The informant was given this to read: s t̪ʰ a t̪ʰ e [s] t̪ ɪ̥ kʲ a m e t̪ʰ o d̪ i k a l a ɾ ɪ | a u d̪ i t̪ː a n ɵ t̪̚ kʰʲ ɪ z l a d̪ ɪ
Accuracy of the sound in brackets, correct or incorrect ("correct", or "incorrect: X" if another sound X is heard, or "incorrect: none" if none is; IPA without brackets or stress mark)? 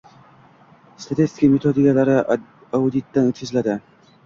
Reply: correct